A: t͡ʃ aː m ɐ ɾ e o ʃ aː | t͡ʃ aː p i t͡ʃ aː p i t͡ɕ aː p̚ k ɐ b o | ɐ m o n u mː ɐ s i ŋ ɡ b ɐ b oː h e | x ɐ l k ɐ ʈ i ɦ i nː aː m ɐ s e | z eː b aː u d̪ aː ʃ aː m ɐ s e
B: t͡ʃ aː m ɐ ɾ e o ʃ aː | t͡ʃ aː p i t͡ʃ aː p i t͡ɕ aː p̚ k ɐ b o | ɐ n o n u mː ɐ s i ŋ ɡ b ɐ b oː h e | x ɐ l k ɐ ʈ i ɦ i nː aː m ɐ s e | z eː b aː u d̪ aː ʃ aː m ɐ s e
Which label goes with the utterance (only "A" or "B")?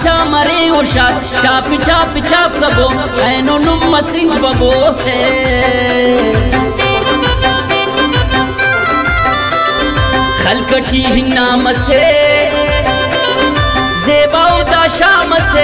B